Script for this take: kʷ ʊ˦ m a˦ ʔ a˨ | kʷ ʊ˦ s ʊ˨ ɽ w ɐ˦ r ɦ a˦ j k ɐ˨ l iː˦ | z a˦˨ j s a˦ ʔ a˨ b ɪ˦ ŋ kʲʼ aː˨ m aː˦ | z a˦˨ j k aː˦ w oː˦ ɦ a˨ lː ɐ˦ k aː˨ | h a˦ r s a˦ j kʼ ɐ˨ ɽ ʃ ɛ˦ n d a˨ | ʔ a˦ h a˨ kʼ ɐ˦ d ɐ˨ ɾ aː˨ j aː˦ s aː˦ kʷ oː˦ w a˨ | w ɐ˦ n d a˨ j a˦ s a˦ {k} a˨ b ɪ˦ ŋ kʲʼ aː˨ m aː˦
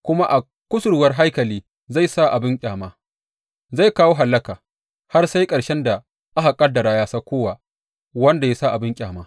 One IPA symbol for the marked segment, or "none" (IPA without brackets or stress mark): ʔ